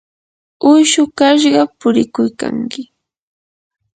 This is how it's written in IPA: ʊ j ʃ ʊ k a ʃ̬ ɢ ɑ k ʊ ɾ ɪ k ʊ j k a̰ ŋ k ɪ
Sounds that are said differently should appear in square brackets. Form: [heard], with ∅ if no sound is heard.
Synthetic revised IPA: ʊ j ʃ ʊ k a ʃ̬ ɢ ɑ [p] ʊ ɾ ɪ k ʊ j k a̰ ŋ k ɪ